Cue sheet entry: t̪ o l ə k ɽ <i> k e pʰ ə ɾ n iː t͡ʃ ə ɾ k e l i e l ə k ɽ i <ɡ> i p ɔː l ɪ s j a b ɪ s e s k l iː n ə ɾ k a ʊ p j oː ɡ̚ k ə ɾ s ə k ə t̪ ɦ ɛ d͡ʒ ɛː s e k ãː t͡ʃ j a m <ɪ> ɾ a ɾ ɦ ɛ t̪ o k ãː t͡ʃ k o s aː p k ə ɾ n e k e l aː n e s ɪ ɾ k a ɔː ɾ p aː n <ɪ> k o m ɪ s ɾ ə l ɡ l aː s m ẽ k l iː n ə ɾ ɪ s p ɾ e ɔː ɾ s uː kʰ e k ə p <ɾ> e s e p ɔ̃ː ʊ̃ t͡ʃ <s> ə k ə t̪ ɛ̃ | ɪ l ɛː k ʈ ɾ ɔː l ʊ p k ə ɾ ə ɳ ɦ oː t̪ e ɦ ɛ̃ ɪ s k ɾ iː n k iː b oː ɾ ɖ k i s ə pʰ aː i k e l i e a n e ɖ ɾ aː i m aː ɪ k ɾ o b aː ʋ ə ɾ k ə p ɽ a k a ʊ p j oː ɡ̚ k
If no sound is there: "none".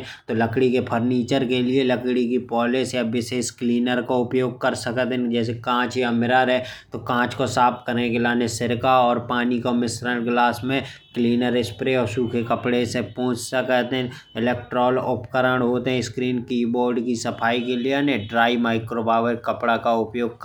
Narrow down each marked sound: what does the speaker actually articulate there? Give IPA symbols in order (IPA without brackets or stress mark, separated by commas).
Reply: i, k, ɪ, i, ɽ, s